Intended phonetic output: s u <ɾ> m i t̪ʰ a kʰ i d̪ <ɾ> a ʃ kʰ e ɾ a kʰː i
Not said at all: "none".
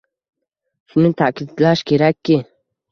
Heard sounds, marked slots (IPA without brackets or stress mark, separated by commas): none, l